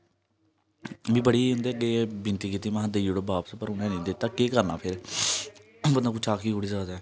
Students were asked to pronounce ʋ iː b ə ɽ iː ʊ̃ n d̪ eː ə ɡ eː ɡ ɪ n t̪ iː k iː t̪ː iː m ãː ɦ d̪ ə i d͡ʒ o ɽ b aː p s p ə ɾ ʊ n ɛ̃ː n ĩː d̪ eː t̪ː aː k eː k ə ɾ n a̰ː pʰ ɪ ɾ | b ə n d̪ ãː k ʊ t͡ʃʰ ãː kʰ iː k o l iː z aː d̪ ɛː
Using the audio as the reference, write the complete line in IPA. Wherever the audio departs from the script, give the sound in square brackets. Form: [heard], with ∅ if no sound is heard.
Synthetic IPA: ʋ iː b ə ɽ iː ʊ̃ n d̪ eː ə ɡ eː [b] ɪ n t̪ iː k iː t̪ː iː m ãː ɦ d̪ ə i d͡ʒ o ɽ b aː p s p ə ɾ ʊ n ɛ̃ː n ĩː d̪ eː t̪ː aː k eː k ə ɾ n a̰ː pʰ ɪ ɾ | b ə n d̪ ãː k ʊ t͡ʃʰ [aː] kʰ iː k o [ɽ] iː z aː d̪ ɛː